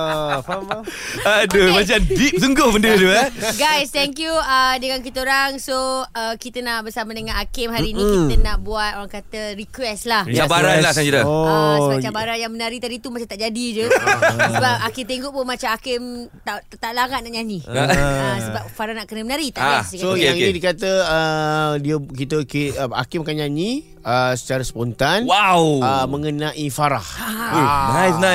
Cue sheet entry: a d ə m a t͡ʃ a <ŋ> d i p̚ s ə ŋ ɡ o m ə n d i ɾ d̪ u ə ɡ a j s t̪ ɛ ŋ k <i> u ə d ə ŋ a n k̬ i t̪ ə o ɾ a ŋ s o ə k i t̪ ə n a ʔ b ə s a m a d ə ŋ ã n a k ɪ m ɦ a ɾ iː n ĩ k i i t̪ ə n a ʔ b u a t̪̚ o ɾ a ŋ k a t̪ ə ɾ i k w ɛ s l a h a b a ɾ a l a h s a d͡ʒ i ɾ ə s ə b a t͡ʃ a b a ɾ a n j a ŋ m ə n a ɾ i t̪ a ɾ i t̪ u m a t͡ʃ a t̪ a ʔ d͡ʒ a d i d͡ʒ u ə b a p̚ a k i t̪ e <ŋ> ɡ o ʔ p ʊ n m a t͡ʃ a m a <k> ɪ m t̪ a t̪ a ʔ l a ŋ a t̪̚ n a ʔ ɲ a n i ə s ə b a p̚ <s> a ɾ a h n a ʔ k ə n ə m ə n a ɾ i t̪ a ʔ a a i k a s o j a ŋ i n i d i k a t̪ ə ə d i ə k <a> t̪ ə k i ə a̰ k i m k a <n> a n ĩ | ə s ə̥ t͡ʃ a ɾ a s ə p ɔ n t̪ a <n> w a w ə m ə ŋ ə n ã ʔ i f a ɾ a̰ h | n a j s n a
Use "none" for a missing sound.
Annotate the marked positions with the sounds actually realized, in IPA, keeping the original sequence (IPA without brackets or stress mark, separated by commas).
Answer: m, j, ŋ, k, f, i, ɲ, n